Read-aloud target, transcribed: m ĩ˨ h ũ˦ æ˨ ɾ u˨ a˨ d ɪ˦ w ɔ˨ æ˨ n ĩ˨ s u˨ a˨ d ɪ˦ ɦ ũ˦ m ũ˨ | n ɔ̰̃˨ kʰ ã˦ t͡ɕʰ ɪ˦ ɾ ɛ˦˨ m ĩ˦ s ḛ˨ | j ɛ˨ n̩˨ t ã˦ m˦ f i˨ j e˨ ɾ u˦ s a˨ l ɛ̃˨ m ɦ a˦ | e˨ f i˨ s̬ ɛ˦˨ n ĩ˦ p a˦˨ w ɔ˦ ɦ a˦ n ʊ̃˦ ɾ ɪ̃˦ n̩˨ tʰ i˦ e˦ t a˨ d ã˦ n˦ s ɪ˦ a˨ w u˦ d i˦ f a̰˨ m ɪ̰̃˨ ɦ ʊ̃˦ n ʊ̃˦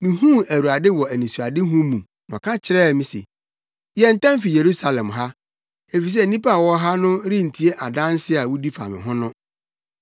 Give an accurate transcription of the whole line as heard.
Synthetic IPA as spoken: m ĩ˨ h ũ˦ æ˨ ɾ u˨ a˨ d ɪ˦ w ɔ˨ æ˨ n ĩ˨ s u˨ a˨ d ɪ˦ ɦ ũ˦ m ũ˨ | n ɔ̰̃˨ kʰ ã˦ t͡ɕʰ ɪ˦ ɾ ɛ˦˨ m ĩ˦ s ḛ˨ | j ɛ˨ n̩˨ t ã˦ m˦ f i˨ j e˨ ɾ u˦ s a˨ l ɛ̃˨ m ɦ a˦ | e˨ f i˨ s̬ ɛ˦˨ n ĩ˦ p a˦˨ w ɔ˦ ɦ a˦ n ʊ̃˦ ɾ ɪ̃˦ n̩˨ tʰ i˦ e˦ ʔ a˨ d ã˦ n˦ s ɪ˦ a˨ w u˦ d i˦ f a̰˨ m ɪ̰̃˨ ɦ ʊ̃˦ n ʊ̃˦

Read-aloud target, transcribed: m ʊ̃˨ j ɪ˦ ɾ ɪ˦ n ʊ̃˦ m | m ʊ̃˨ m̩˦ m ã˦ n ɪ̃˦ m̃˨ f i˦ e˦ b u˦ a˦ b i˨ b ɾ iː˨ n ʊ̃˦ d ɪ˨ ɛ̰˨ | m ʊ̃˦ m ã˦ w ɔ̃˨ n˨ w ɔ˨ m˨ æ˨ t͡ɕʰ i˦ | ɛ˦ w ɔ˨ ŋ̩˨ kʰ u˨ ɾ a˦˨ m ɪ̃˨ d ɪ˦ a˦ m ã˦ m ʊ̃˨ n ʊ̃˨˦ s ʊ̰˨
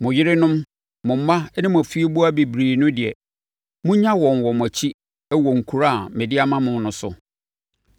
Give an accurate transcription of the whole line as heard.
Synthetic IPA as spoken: m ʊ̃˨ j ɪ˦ ɾ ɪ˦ n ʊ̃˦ m | m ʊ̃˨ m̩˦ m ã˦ n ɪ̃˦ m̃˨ f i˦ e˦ b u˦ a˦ b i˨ b ɾ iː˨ n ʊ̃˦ d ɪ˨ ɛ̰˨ | m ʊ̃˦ ɲ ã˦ w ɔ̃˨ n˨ w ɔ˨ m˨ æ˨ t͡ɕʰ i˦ | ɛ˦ w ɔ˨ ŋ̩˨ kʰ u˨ ɾ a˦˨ m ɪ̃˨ d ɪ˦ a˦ m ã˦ m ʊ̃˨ n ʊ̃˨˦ s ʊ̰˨

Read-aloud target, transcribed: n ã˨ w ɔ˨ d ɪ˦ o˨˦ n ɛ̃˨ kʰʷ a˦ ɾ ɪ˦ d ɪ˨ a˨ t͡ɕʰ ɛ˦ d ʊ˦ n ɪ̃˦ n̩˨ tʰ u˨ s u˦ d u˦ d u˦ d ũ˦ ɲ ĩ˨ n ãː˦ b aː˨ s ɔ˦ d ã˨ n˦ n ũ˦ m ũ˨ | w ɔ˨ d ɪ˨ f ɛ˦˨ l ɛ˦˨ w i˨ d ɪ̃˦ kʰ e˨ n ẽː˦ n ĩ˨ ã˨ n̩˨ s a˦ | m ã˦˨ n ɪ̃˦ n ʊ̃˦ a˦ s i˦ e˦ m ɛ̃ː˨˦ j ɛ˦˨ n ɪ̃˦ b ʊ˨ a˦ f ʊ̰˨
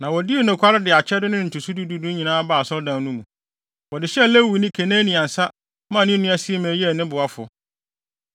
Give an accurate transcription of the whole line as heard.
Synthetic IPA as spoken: n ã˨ w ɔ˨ d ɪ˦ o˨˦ n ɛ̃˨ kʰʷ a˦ ɾ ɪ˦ d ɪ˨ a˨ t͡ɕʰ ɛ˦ d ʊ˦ n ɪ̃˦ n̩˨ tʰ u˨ s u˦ d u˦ d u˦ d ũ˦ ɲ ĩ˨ n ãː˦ b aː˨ s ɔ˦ d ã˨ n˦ n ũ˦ m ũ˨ | w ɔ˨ d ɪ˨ ɕ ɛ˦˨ l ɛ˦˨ w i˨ n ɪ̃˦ kʰ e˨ n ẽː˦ n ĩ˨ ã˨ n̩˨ s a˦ | m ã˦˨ n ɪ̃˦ n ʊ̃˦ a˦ s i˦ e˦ m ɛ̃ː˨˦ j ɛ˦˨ n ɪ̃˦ b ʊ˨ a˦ f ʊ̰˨

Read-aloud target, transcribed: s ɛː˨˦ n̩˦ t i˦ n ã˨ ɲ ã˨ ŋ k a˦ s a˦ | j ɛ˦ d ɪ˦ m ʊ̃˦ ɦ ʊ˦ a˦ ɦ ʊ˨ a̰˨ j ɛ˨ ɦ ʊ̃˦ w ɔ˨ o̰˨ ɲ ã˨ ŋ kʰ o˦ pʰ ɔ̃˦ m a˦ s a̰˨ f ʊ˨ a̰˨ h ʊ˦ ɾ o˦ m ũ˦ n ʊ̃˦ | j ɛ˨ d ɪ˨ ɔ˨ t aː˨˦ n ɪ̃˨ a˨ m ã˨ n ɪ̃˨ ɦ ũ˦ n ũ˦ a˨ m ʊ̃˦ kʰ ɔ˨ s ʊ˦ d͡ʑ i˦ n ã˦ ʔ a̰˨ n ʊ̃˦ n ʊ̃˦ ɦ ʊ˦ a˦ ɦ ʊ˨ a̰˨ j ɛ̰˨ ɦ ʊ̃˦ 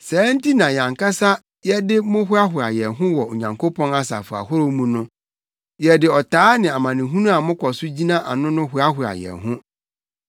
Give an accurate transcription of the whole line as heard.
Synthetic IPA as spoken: s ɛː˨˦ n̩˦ t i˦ n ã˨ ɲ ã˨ ŋ k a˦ s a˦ | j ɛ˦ d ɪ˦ m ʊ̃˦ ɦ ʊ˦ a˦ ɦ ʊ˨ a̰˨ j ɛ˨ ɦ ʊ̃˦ w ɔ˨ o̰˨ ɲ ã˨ ŋ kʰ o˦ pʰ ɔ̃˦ n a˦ s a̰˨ f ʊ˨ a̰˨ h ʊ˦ ɾ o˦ m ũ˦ n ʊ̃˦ | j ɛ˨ d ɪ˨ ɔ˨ t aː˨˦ n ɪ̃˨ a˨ m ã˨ n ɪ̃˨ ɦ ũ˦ n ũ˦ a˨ m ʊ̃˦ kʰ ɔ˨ s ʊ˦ d͡ʑ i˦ n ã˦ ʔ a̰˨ n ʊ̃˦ n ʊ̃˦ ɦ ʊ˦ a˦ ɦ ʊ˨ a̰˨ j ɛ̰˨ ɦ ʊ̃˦

